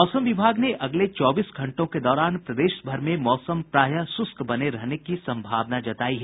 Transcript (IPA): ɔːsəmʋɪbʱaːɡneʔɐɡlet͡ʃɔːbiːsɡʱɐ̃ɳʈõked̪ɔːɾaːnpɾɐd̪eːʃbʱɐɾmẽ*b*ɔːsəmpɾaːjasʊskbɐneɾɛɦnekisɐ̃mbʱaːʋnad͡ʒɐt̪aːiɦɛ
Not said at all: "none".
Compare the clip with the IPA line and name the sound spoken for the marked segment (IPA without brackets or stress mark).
m